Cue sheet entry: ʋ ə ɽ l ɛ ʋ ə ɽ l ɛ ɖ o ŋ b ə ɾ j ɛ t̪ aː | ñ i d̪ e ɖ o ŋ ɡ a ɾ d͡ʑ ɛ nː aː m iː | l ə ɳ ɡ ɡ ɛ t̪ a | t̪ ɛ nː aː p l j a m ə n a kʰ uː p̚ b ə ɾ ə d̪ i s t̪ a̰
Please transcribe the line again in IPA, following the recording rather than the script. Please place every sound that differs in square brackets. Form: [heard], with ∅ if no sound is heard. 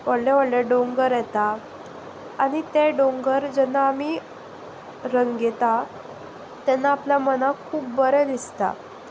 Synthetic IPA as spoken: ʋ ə ɽ l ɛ ʋ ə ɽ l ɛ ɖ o ŋ [ɡ] ə ɾ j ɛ t̪ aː | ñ i [t̪] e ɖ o ŋ ɡ [ə] ɾ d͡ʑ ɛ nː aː m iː | [ɾ] ə [ŋ] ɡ ɡ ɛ t̪ a | t̪ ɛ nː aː p l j a m ə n a kʰ uː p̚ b ə ɾ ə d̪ i s t̪ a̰